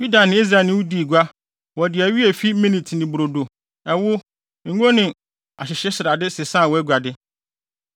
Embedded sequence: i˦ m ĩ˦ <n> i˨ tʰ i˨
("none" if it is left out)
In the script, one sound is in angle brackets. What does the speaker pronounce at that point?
n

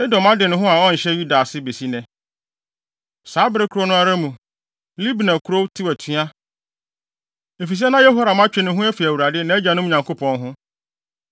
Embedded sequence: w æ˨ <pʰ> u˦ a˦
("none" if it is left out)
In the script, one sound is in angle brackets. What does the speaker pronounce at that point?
tʰ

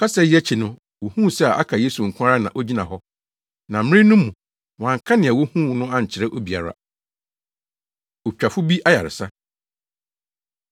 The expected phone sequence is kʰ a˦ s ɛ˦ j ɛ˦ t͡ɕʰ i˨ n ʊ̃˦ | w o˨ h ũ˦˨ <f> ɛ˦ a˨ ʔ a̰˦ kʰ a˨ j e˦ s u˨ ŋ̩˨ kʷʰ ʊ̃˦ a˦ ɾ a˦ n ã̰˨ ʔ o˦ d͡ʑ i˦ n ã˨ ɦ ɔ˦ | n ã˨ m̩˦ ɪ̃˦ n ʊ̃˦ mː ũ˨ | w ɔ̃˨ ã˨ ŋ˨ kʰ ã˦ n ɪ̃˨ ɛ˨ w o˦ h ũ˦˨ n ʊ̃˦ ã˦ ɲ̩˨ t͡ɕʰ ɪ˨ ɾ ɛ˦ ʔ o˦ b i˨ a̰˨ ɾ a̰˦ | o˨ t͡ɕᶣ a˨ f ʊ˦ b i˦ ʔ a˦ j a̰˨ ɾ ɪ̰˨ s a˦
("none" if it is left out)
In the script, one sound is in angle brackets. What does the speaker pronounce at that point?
s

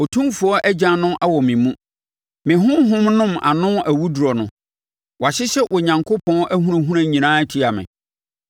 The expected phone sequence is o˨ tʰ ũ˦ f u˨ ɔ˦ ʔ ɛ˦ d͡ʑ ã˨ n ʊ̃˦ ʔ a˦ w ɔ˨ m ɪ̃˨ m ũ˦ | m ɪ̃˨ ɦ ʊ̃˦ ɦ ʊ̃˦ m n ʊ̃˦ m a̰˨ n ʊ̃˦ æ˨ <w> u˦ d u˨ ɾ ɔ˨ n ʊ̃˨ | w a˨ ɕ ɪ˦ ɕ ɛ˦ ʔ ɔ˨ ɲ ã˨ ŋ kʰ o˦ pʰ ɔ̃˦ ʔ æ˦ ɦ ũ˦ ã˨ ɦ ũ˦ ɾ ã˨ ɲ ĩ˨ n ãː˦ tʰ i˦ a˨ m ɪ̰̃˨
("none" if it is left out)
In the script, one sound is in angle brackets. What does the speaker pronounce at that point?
w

